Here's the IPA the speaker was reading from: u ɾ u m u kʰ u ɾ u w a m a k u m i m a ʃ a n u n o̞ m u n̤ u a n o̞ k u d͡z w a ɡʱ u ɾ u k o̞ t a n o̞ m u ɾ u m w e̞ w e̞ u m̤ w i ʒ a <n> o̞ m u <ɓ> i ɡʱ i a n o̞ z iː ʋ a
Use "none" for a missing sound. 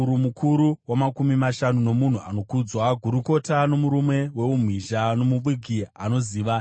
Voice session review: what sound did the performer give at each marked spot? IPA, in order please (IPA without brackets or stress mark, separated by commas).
n, ɓ